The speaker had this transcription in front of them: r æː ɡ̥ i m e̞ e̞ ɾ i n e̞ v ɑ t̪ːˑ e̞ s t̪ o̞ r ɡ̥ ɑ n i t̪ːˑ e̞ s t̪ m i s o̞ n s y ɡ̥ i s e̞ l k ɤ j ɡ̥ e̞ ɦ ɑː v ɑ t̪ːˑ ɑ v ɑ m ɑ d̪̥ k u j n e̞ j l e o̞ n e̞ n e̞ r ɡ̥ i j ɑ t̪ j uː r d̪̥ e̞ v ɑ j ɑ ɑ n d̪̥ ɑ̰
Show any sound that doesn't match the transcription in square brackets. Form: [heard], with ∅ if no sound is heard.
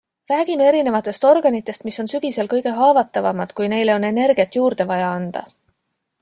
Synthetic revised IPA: r æː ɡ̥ i m e̞ e̞ ɾ i n e̞ v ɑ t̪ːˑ e̞ s t̪ o̞ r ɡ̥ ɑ n i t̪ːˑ e̞ s t̪ m i s o̞ n s y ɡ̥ i s e̞ l k ɤ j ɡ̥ e̞ ɦ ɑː v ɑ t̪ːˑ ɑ v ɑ m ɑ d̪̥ k u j n e̞ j l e o̞ n e̞ n e̞ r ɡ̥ i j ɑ t̪ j uː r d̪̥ e̞ v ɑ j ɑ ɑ n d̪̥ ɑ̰